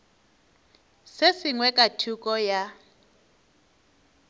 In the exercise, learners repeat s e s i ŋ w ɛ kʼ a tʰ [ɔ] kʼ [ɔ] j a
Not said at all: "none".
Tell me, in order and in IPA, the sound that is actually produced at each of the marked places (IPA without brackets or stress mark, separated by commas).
u, ɔ